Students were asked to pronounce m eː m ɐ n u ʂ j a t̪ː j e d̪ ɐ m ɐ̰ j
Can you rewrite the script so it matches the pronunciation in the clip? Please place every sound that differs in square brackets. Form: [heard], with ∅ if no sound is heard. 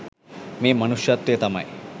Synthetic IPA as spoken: m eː m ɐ n u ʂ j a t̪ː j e [t̪] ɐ m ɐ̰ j